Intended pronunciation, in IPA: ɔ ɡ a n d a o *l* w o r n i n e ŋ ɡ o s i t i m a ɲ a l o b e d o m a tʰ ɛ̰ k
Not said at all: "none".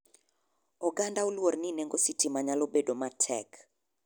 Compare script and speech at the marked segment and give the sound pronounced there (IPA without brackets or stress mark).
l